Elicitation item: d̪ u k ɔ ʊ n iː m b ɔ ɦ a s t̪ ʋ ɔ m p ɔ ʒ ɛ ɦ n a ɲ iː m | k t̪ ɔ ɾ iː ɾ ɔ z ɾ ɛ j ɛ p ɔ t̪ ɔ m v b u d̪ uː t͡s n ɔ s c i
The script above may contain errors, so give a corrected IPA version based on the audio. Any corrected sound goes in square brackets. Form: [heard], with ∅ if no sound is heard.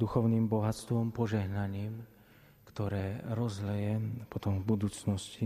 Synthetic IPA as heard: d̪ u [x] ɔ ʊ n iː m b ɔ ɦ a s t̪ ʋ ɔ m p ɔ ʒ ɛ ɦ n a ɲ iː m | k t̪ ɔ ɾ [ɛː] ɾ ɔ z [l] ɛ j ɛ p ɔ t̪ ɔ m v b u d̪ uː t͡s n ɔ s c i